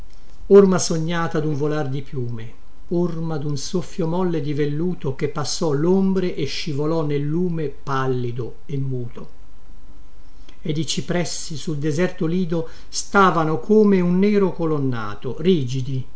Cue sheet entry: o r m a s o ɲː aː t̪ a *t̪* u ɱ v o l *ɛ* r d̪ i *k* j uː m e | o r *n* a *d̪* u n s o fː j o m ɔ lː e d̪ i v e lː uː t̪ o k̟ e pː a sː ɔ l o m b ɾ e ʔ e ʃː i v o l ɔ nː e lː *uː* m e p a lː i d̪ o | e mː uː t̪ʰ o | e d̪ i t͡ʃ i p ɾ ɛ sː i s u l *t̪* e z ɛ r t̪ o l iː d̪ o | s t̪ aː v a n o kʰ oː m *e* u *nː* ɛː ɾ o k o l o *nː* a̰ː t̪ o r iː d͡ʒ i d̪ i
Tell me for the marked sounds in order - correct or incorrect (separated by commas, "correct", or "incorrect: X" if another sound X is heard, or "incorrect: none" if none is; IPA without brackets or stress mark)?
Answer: incorrect: d̪, incorrect: a, incorrect: p, incorrect: m, correct, correct, incorrect: d̪, correct, correct, correct